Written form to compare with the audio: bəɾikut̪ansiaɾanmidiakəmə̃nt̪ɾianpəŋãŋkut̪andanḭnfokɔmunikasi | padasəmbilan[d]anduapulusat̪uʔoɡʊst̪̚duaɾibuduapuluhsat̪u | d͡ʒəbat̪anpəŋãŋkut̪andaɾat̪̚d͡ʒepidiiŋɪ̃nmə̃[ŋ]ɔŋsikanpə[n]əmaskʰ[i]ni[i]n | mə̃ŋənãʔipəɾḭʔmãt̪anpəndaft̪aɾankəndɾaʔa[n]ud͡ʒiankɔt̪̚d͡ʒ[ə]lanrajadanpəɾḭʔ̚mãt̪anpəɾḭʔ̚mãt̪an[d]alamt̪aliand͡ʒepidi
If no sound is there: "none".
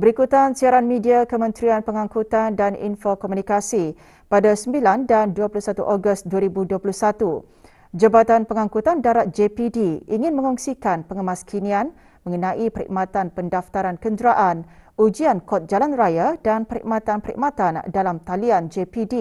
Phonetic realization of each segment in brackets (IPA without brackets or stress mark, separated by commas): d, ŋ, ŋ, i, a, n, a, d